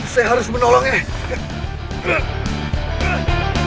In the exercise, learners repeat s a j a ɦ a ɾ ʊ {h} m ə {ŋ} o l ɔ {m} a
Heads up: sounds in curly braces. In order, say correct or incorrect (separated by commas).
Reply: incorrect, incorrect, incorrect